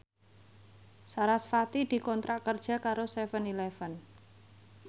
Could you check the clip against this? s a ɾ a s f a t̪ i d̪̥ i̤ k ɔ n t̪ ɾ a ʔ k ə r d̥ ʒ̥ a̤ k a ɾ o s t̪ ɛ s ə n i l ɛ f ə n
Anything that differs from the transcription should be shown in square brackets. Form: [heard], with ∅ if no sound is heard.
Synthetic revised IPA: s a ɾ a s f a t̪ i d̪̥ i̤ k ɔ n t̪ ɾ a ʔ k ə r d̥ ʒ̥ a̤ k a ɾ o s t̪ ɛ [f] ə n i l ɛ f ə n